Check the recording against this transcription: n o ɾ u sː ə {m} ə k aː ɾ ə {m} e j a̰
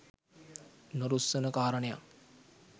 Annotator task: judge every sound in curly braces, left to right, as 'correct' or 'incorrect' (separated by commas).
incorrect, incorrect